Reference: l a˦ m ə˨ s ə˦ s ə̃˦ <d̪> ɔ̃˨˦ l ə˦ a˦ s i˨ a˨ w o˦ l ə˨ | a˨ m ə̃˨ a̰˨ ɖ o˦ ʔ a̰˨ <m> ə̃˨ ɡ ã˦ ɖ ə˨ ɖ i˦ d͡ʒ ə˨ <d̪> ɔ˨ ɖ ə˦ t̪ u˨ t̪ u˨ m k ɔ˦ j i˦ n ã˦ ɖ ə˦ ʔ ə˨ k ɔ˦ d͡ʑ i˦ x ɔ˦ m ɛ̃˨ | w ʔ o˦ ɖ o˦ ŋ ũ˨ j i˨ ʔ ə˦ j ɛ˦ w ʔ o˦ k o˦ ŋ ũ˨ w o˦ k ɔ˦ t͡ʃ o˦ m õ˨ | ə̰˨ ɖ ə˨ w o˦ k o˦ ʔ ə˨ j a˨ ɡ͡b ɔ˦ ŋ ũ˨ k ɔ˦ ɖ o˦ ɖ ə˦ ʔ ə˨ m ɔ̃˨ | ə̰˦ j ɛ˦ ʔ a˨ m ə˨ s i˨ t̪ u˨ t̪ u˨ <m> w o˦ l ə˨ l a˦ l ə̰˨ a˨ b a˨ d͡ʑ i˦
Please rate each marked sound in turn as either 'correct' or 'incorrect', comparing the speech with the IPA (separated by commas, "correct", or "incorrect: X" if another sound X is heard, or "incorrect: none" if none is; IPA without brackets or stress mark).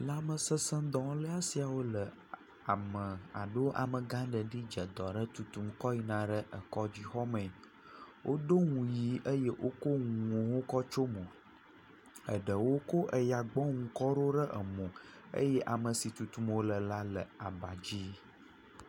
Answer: correct, correct, correct, correct